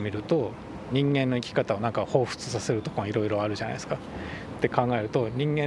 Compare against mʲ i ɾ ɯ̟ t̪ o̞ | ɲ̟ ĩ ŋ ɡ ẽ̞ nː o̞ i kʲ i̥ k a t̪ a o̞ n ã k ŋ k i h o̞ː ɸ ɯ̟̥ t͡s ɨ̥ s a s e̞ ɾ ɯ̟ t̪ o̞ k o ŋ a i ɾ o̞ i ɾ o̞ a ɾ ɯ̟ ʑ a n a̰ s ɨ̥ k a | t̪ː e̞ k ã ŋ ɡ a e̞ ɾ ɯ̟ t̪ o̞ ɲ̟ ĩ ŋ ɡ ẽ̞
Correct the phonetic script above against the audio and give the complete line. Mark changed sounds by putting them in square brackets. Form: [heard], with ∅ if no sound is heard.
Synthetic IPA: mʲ i ɾ ɯ̟ t̪ o̞ | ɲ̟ ĩ ŋ ɡ ẽ̞ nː o̞ i kʲ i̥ k a t̪ a o̞ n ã [∅] ŋ k [a] h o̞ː ɸ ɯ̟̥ t͡s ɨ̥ s a s e̞ ɾ ɯ̟ t̪ o̞ k o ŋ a i ɾ o̞ i ɾ o̞ a ɾ ɯ̟ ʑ a n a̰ s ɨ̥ k a | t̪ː e̞ k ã ŋ ɡ a e̞ ɾ ɯ̟ t̪ o̞ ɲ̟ ĩ ŋ ɡ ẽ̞